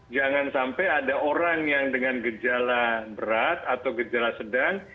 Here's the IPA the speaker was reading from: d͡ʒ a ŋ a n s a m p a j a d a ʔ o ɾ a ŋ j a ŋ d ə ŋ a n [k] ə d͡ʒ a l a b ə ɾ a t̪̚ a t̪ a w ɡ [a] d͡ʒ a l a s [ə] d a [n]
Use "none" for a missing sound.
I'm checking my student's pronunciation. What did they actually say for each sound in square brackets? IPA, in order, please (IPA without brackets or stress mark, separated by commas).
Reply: ɡ, ə, ə, ŋ